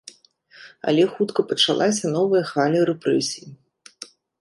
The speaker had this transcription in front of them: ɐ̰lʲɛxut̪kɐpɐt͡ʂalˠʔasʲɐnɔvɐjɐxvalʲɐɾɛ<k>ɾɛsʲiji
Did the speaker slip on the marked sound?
yes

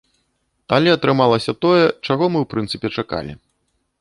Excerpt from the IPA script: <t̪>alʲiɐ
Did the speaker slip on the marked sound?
no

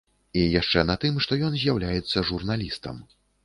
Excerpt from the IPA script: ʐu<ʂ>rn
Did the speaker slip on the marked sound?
yes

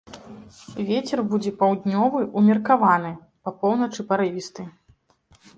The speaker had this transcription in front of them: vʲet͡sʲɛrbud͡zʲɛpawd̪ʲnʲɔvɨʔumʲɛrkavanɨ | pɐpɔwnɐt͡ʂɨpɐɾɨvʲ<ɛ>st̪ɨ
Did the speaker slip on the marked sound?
yes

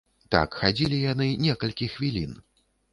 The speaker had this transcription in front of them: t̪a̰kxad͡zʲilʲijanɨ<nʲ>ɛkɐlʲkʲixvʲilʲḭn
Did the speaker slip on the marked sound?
no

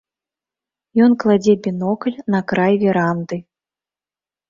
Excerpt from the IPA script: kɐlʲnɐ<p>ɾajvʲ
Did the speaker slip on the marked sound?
yes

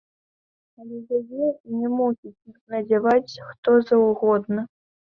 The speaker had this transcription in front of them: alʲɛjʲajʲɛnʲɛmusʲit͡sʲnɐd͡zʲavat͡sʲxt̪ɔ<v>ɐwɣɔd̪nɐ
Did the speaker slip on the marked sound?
yes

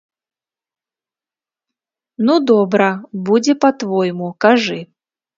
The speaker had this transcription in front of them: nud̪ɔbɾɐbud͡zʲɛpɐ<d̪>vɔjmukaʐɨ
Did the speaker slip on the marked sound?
yes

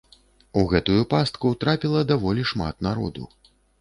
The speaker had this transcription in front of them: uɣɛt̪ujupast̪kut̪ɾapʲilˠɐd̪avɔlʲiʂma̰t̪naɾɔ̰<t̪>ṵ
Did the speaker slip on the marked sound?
yes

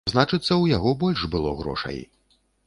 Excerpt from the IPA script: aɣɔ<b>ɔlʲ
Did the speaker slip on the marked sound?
no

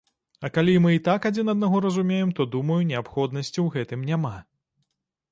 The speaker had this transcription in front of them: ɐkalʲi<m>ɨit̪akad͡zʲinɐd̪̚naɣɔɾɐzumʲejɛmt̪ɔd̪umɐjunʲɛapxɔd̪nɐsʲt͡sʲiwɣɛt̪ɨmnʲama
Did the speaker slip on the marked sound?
no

